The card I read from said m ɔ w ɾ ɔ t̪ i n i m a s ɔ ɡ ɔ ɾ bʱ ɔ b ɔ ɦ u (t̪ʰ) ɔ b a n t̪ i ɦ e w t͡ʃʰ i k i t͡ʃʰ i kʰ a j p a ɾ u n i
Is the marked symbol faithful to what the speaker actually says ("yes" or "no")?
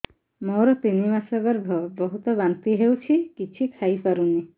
no